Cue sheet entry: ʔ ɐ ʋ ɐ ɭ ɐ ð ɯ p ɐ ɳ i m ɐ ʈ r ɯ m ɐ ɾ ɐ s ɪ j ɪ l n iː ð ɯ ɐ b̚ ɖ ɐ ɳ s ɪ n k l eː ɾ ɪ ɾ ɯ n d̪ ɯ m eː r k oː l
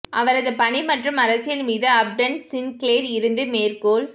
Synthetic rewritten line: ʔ ɐ ʋ ɐ ɾ ɐ ð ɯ p ɐ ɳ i m ɐ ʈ r ɯ m ɐ ɾ ɐ s ɪ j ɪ l m iː ð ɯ ɐ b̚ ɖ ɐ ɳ s ɪ n k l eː ɾ ɪ ɾ ɯ n d̪ ɯ m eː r k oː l